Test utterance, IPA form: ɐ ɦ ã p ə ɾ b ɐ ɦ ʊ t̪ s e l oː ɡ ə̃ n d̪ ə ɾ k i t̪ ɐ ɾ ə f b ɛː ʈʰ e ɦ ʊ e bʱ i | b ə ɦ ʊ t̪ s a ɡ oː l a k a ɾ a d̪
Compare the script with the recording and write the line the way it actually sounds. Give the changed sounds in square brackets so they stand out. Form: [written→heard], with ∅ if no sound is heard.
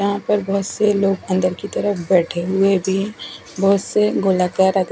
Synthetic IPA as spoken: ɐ ɦ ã p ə ɾ b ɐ ɦ ʊ t̪ s e l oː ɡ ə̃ n d̪ ə ɾ k i t̪ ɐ ɾ ə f b ɛː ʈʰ e ɦ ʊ e bʱ i | b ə ɦ ʊ t̪ s [a→e] ɡ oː l a k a ɾ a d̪